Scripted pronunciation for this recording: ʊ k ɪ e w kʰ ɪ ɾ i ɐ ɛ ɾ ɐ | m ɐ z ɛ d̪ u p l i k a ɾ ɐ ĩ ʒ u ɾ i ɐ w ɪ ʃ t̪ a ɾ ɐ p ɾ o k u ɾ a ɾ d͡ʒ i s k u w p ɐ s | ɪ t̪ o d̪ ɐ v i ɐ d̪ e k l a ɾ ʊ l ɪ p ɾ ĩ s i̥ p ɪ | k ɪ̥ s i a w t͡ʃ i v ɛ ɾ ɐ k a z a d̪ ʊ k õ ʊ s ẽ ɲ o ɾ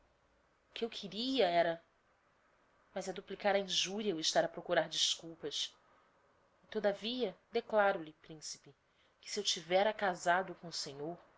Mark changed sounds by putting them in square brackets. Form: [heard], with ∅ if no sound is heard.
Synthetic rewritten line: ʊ k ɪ e w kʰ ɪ ɾ i ɐ ɛ ɾ ɐ | m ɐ z ɛ d̪ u p l i k a ɾ ɐ ĩ ʒ u ɾ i ɐ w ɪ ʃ t̪ a ɾ ɐ p ɾ o k u ɾ a ɾ d͡ʒ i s k u w p ɐ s | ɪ t̪ o d̪ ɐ v i ɐ d̪ e k l a ɾ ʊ l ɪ p ɾ ĩ s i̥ p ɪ | k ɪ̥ s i [e] w t͡ʃ i v ɛ ɾ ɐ k a z a d̪ ʊ k õ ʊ s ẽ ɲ o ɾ